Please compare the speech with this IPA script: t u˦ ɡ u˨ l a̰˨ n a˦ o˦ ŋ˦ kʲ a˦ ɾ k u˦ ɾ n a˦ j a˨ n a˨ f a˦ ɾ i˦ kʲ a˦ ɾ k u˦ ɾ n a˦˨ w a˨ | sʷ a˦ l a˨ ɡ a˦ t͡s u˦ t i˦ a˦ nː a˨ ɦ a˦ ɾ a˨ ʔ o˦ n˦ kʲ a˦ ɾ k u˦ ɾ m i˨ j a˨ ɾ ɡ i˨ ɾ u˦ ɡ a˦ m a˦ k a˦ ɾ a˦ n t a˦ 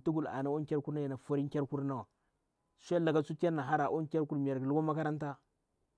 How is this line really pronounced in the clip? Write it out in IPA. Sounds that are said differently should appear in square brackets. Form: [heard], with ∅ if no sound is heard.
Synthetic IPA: t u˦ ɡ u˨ l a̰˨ n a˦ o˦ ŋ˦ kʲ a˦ ɾ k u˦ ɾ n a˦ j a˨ n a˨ f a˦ ɾ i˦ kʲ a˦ ɾ k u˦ ɾ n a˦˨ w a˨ | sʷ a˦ l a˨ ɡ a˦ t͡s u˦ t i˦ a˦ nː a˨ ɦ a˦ ɾ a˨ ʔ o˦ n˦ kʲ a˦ ɾ k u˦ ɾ m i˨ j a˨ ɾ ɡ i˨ [l] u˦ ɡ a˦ m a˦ k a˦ ɾ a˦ n t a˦